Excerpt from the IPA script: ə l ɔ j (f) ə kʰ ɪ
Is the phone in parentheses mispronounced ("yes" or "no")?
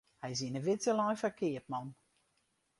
no